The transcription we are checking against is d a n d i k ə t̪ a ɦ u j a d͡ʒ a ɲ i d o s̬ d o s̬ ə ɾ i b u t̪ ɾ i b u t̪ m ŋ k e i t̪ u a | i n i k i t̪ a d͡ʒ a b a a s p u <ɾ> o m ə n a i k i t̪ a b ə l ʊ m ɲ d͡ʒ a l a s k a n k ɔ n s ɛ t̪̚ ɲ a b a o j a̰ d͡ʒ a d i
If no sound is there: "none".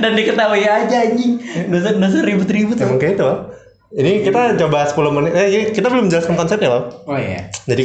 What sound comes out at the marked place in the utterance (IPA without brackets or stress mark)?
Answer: l